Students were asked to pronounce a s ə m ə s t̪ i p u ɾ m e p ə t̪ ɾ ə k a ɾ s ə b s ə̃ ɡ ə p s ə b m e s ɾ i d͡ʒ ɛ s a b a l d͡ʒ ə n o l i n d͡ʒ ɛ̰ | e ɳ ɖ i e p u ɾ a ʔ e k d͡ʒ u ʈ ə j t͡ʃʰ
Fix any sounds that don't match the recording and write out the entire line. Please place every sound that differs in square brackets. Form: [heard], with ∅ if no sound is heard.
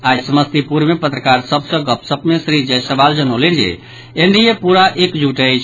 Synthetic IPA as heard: a s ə m ə s t̪ i p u ɾ m e p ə t̪ ɾ ə k a ɾ s ə b s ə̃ ɡ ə p s ə b m e s ɾ i d͡ʒ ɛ s [ə] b a l d͡ʒ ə n o l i n d͡ʒ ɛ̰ | e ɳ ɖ i e p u ɾ a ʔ e k d͡ʒ u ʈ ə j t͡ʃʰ